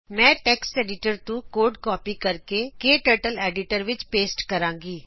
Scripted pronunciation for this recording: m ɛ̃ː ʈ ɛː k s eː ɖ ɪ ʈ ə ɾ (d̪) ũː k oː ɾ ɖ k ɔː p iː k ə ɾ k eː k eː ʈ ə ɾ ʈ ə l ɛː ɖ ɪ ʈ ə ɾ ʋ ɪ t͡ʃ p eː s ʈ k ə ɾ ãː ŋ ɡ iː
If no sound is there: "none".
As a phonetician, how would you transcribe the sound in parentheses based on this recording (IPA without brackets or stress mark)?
t̪